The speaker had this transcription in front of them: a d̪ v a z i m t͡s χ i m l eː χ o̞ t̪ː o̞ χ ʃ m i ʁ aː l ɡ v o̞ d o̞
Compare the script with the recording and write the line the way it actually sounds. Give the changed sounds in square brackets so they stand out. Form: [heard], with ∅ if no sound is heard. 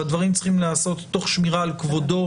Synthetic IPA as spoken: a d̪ v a [ʁ] i m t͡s χ i m l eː [s] o̞ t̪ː o̞ χ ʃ m i ʁ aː l [k] v o̞ d o̞